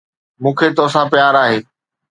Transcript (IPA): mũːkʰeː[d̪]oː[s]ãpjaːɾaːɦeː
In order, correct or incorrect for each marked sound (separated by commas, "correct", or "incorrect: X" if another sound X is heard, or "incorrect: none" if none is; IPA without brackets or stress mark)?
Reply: incorrect: t̪, correct